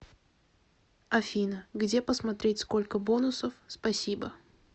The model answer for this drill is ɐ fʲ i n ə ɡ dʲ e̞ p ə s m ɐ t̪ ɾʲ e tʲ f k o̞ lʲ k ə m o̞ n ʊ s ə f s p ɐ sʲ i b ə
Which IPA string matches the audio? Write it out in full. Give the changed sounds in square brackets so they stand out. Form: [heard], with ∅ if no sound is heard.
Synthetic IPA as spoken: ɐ fʲ i n ə ɡ dʲ e̞ p ə s m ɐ t̪ ɾʲ e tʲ [s] k o̞ lʲ k ə [b] o̞ n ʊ s ə f s p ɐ sʲ i b ə